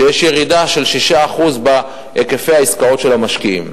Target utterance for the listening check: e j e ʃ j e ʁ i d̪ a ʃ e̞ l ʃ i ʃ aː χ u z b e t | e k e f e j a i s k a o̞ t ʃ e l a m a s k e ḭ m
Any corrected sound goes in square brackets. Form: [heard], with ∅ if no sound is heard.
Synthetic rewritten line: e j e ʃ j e ʁ i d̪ a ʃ e̞ l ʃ i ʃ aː χ u z b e [∅] | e k e f e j a i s k a o̞ t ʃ e l a m a [ʃ] k [i] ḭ m